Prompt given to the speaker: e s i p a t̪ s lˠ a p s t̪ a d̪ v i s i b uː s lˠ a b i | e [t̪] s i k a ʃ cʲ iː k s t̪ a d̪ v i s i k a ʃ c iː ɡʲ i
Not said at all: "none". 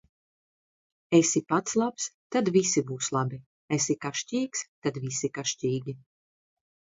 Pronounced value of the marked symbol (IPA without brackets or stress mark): none